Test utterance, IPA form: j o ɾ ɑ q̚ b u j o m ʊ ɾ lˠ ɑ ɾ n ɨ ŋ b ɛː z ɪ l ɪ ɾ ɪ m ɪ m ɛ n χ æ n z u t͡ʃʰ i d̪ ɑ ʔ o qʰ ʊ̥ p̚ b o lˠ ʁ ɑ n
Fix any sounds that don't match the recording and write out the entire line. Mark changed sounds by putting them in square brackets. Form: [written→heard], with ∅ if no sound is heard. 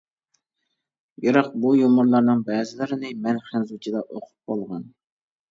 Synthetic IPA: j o ɾ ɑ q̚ b u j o m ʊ ɾ lˠ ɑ ɾ n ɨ ŋ b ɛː z ɪ l ɪ ɾ ɪ [m→n] ɪ m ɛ n χ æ n z u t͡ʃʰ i d̪ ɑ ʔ o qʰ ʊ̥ p̚ b o lˠ ʁ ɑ n